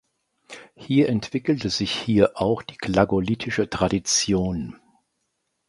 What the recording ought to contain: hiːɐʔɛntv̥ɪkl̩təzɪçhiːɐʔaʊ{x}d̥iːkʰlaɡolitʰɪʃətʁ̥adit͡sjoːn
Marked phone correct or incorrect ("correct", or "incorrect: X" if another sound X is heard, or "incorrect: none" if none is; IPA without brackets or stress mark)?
correct